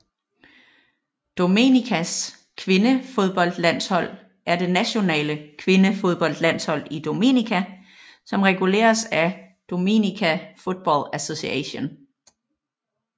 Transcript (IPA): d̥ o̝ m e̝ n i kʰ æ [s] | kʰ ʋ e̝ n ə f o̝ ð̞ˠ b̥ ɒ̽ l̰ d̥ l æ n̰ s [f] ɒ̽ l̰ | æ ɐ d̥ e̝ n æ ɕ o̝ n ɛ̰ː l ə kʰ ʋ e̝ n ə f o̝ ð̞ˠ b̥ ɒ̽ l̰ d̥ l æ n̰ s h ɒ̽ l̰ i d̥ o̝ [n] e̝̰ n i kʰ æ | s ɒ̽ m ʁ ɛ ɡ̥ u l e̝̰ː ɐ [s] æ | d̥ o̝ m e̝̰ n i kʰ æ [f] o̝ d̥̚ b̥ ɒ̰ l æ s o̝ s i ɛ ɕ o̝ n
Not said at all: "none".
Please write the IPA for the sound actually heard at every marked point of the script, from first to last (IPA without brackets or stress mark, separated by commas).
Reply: s, h, m, s, f